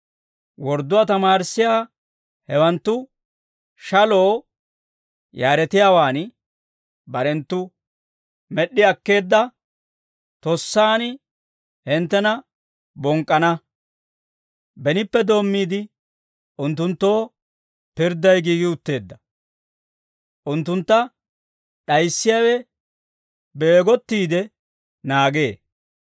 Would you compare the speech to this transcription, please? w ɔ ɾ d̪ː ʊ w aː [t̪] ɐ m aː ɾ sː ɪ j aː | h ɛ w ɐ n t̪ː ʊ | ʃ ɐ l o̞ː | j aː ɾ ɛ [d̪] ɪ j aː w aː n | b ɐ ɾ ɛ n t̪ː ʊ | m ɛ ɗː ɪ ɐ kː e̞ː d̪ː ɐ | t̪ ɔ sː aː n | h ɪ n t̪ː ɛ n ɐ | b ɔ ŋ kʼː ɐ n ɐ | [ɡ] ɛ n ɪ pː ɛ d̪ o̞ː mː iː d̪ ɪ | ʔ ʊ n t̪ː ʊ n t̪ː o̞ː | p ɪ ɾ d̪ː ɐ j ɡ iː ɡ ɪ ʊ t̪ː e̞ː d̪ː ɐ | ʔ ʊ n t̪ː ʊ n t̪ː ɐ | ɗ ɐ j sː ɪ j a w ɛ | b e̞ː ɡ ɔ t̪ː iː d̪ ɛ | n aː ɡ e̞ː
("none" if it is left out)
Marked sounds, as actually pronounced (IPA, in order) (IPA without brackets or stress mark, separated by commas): t̪, t̪, b